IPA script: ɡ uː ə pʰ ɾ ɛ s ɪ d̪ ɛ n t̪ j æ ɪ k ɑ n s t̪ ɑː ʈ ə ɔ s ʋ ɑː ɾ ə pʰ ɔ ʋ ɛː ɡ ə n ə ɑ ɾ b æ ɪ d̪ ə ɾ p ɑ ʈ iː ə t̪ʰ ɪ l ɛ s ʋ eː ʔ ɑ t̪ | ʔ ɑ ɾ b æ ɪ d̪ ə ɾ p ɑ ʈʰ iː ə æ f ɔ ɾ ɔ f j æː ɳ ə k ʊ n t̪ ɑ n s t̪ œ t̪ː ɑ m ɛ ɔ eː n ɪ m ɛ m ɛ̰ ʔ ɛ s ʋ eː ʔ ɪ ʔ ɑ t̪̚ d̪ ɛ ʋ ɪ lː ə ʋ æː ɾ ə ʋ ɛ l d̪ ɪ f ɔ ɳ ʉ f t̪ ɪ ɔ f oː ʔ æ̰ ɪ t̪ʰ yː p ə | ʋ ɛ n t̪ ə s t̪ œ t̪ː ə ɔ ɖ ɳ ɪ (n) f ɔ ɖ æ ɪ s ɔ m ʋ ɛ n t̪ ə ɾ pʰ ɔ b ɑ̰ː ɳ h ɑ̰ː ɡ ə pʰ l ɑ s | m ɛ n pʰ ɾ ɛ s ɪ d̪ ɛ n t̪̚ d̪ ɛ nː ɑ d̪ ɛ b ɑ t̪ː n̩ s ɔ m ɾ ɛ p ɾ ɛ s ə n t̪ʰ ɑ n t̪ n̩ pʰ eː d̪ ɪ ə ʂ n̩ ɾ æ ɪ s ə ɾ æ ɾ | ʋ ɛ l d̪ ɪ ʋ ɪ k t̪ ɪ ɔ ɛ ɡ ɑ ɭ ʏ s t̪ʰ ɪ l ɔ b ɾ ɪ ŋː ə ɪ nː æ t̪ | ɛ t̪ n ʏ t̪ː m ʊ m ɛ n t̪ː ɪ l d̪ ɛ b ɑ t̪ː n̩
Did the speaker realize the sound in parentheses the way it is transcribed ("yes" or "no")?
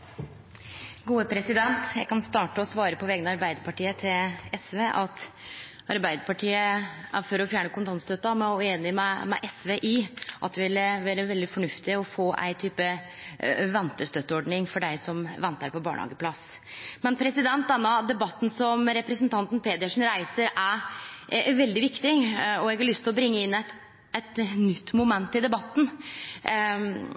no